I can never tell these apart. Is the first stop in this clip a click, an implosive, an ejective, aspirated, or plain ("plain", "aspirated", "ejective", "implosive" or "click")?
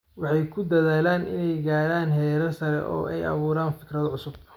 aspirated